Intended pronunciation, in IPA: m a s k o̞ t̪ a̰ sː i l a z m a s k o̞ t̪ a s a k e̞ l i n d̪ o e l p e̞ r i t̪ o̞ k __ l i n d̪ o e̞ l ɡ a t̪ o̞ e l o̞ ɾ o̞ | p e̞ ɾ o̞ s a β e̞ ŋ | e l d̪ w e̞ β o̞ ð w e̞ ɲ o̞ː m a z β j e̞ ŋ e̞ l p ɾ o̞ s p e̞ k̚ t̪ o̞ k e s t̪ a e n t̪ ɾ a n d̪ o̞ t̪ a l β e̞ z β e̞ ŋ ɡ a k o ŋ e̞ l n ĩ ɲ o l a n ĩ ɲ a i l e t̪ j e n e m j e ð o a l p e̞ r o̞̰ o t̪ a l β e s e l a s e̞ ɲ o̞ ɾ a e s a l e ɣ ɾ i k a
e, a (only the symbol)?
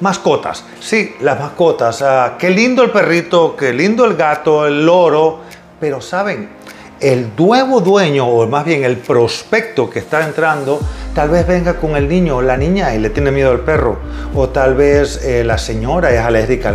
e